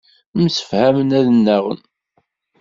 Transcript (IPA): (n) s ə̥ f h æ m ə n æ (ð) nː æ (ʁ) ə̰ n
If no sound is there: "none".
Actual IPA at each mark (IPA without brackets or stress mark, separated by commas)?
m, ð, ʁ